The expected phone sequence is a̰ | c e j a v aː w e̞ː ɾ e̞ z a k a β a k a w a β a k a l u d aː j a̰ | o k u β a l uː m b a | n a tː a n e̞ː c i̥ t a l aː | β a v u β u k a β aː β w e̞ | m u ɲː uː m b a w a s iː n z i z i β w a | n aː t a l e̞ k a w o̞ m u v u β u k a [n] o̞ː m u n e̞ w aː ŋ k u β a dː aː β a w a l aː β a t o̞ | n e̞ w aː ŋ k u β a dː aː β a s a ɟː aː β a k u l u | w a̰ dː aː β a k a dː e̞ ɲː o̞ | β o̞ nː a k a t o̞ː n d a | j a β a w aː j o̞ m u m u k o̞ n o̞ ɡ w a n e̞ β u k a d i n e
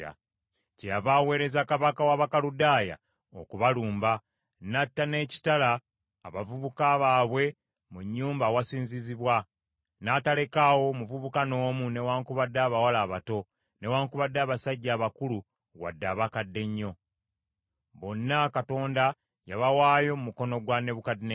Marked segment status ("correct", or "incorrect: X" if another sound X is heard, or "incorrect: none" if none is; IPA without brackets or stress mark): correct